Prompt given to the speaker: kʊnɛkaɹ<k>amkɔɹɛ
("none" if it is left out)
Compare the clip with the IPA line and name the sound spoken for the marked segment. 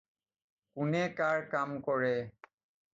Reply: k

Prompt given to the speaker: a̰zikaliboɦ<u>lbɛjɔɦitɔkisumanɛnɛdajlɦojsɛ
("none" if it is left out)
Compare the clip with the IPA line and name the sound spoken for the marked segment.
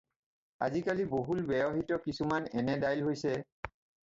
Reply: u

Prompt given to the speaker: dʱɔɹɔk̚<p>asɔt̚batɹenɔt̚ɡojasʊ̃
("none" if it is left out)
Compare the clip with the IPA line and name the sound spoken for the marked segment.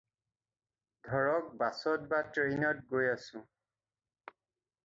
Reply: b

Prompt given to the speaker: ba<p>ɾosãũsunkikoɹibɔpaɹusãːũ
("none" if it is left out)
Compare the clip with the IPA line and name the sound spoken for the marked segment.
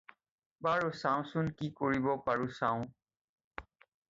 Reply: none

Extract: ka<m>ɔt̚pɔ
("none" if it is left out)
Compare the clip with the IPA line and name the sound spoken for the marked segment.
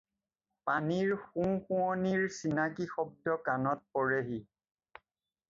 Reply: n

